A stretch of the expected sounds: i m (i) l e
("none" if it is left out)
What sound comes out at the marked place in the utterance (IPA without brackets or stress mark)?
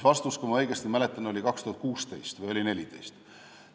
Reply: æ